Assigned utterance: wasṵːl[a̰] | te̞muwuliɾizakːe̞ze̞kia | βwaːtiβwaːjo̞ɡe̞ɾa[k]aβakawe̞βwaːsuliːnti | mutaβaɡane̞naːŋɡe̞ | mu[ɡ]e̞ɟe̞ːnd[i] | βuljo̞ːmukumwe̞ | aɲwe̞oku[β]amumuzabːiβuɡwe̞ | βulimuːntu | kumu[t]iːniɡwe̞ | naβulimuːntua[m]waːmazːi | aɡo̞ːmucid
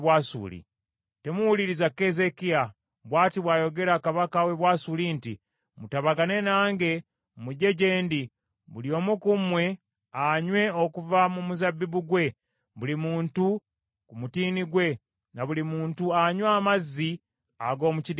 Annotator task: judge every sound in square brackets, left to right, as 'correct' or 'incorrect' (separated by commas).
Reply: incorrect, correct, incorrect, correct, incorrect, correct, incorrect